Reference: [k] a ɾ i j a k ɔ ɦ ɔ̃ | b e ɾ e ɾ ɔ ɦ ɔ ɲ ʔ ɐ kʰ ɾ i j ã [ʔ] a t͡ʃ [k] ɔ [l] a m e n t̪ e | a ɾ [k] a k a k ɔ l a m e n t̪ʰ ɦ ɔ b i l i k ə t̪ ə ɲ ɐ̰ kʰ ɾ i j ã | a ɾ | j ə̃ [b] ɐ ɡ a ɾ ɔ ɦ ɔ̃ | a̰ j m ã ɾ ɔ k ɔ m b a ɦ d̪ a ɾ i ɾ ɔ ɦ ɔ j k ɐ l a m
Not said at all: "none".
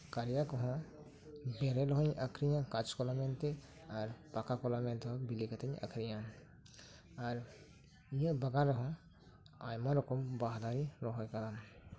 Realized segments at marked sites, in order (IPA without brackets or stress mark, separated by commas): k, k, k, l, p, b